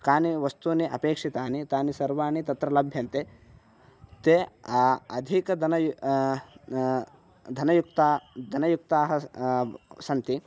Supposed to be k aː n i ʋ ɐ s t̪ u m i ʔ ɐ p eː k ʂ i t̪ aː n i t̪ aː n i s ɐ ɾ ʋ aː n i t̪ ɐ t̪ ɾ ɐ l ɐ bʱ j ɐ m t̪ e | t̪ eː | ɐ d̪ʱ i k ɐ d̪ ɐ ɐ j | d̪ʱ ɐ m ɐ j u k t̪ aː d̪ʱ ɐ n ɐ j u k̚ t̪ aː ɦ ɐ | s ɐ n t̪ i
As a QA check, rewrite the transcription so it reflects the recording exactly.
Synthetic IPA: k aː n i ʋ ɐ s t̪ u n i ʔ ɐ p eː k ʂ i t̪ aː n i t̪ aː n i s ɐ ɾ ʋ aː n i t̪ ɐ t̪ ɾ ɐ l ɐ bʱ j ɐ n t̪ e | t̪ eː | ɐ d̪ʱ i k ɐ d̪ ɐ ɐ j | d̪ʱ ɐ n ɐ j u k t̪ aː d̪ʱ ɐ n ɐ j u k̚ t̪ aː ɦ ɐ | s ɐ n t̪ i